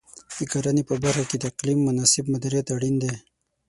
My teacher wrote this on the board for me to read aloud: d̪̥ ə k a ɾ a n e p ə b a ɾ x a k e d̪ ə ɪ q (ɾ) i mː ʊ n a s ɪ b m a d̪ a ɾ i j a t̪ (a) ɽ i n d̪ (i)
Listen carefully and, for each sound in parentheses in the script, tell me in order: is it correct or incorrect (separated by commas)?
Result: incorrect, correct, incorrect